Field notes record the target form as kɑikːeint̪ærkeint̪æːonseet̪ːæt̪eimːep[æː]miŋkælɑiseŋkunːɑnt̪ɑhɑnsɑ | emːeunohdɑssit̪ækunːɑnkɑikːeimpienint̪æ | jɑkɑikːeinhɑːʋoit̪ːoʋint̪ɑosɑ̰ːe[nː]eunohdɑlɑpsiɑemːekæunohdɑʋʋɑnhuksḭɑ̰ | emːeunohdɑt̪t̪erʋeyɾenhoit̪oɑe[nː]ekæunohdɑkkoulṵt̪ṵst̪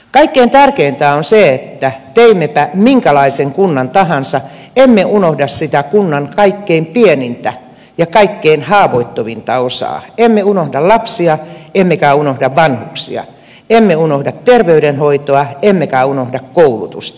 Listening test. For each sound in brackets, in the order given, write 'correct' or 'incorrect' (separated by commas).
incorrect, incorrect, incorrect